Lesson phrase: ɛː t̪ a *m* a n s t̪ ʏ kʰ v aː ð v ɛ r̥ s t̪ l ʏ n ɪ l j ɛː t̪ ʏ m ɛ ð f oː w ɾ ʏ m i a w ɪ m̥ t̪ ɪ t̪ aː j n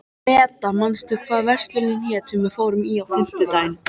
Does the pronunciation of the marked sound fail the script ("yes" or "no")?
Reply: no